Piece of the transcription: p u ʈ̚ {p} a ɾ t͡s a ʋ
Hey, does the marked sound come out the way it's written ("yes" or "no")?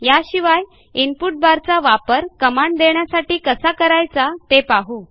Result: no